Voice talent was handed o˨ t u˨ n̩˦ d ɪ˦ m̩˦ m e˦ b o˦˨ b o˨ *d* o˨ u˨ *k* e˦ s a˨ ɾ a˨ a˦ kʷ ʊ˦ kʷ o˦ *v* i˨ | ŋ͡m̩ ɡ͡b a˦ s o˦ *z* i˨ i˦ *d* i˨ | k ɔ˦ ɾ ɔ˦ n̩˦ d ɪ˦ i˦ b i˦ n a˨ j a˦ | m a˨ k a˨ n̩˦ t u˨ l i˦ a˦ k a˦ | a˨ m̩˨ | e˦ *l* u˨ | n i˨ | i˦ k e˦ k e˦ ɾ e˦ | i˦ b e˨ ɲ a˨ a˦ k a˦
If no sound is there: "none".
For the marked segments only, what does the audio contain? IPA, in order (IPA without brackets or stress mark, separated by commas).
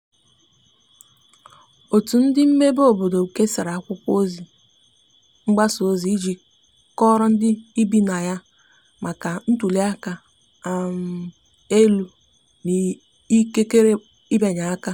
d, k, z, z, d͡ʒ, l